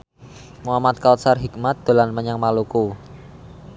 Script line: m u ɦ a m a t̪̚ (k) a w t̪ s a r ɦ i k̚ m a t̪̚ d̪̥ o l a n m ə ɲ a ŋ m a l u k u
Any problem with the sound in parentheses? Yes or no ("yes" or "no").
no